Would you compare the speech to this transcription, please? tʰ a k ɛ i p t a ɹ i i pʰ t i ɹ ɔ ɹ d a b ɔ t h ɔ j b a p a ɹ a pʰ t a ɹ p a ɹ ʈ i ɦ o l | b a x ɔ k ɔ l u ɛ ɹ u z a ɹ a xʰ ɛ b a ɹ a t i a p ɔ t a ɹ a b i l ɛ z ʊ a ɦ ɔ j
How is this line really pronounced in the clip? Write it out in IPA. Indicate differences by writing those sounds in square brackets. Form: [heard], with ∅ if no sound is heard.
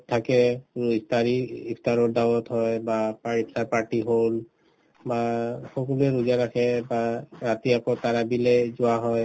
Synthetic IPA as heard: tʰ a k ɛ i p t a ɹ i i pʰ t [a] ɹ ɔ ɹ d a [w] ɔ t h ɔ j b a p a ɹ [i] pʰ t a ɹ p a ɹ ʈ i ɦ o l | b a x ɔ k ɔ l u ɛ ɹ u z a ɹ a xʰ ɛ b a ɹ a t i a [k] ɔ t a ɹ a b i l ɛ z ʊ a ɦ ɔ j